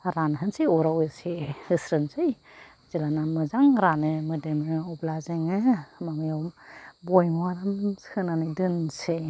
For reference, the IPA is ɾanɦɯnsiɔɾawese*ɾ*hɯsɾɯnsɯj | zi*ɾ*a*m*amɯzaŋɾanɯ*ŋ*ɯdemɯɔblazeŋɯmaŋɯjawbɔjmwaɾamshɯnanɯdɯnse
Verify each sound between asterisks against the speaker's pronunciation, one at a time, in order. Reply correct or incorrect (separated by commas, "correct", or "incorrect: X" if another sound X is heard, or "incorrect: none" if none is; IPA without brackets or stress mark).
incorrect: none, incorrect: l, incorrect: n, incorrect: m